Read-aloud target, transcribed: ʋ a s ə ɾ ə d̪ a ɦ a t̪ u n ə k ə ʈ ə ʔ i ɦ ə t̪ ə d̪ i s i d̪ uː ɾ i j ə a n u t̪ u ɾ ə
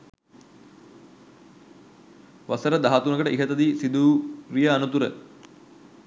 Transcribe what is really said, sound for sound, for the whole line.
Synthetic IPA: ʋ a s ə ɾ ə d̪ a ɦ a t̪ u n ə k ə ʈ ə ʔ i ɦ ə t̪ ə d̪ i s i d̪ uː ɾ i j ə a n u t̪ u ɾ ə